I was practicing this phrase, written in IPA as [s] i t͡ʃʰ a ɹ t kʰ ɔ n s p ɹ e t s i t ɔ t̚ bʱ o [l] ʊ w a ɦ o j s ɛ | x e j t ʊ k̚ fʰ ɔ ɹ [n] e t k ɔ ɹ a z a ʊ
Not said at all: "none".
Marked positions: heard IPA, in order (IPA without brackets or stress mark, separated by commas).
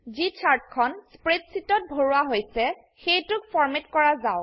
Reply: z, ɹ, m